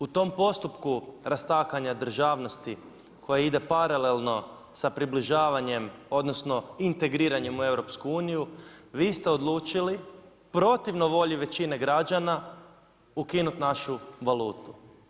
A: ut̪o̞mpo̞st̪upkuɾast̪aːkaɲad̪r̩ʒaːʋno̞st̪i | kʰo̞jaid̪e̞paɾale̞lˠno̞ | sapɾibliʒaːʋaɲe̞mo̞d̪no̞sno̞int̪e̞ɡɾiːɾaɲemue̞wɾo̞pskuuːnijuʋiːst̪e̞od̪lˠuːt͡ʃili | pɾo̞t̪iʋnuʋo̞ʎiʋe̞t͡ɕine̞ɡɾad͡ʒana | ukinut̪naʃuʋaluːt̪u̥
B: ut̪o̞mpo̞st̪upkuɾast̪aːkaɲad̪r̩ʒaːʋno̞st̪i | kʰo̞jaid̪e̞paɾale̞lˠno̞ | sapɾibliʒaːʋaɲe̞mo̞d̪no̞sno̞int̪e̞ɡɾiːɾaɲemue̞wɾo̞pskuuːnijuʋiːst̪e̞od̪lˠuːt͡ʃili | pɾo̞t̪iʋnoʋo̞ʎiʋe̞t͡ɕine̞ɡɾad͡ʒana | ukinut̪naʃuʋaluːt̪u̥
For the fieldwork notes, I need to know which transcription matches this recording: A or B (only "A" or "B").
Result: B